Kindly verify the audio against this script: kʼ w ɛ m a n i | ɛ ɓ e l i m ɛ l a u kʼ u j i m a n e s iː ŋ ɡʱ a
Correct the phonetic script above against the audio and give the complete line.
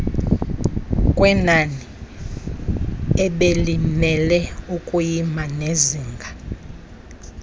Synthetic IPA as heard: kʼ w ɛ n a n i | ɛ ɓ e l i m ɛ l ɛ u kʼ u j i m a n e z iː ŋ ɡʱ a

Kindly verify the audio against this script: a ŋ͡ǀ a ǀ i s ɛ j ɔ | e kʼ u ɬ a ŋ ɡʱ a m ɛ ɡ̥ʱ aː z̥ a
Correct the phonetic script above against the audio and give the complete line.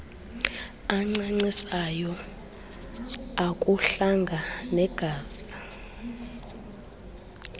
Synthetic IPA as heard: a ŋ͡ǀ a ŋ͡ǀ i s a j ɔ | a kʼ u ɬ a ŋ ɡʱ a n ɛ ɡ̥ʱ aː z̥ a

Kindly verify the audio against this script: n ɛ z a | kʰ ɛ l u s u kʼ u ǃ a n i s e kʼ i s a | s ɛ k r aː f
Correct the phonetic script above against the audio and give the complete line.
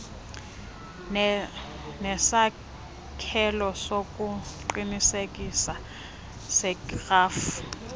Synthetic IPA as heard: n ɛ s a | kʰ ɛ l ɔ s o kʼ u ǃ i n i s e kʼ i s a | s ɛ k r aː f

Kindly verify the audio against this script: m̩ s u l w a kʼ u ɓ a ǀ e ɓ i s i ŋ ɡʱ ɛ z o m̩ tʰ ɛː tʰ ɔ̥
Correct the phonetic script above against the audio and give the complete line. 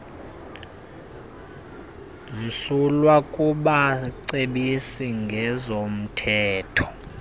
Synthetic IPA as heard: m̩ s u l w a kʼ u ɓ a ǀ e ɓ i s i ŋ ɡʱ ɛ z o m̩ tʰ ɛː tʰ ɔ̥

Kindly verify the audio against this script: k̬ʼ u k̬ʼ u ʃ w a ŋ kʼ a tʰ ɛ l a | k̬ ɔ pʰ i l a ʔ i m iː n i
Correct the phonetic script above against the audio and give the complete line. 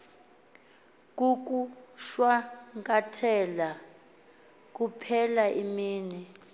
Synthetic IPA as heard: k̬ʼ u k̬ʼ u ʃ w a ŋ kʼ a tʰ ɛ l a | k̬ u pʰ ɛ l a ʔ i m iː n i

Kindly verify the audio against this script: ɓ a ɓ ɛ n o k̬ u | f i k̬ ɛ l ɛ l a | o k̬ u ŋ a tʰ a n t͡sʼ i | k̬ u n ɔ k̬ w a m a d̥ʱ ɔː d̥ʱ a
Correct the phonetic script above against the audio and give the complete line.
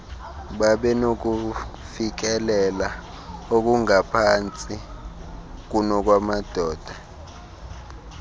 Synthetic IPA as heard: ɓ a ɓ ɛ n o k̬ u | f i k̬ ɛ l ɛ l a | o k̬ u ŋ a pʰ a n t͡sʼ i | k̬ u n ɔ k̬ w a m a d̥ʱ ɔː d̥ʱ a

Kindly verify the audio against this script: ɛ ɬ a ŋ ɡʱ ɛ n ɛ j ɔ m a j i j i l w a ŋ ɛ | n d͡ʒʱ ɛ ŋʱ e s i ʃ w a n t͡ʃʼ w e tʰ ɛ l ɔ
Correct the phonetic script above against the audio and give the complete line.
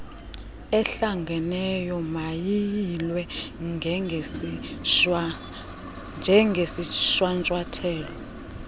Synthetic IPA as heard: ɛ ɬ a ŋ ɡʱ ɛ n ɛ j ɔ m a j i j i l w ɛ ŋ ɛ | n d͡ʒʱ ɛ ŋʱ e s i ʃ w a n t͡ʃʼ w a tʰ ɛː l ɔ

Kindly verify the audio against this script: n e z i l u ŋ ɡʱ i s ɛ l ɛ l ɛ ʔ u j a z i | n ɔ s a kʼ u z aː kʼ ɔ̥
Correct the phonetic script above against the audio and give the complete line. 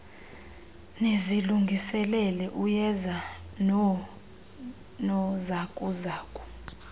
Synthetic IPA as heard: n e z i l u ŋ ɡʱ i s ɛ l ɛ l ɛ ʔ u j ɛ z a | n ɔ z a kʼ u z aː kʼ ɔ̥

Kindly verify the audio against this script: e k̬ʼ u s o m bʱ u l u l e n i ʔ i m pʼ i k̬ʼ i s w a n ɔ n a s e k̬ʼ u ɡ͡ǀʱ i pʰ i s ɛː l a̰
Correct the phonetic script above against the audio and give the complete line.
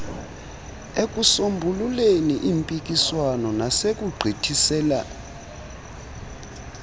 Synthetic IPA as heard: e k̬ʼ u s o m bʱ u l u l e n i ʔ i m pʼ i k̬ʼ i s w a n ɔ n a s e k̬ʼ u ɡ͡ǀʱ i tʰ i s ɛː l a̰

